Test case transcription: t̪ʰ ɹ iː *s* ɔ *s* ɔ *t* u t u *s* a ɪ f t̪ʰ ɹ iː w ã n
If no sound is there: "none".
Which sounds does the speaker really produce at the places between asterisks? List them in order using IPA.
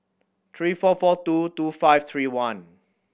f, f, t, f

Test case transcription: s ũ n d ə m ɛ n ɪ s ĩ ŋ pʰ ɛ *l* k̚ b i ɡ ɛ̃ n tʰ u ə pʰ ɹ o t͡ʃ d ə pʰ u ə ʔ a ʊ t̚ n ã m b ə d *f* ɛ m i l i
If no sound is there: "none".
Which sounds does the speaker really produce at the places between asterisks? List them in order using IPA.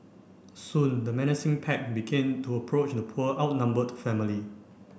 none, f

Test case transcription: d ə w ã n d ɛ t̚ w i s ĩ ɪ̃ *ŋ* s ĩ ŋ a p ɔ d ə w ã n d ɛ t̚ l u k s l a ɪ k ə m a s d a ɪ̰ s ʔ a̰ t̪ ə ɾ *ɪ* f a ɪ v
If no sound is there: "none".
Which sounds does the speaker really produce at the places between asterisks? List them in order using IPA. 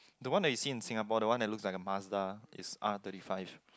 n, i

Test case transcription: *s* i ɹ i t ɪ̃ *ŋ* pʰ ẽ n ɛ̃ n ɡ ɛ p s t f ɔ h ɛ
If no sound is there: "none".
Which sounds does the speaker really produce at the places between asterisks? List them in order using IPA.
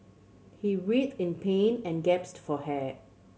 h, n

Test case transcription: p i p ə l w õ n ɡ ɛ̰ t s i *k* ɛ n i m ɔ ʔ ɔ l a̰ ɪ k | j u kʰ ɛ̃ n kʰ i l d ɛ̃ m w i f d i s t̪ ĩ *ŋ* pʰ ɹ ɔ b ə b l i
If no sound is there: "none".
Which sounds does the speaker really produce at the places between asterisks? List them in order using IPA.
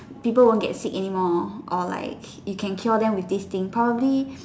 k, ŋ

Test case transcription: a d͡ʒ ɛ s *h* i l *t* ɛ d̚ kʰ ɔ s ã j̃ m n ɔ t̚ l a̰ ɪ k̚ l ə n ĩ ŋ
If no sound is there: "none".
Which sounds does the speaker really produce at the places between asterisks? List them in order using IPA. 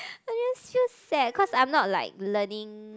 f, s

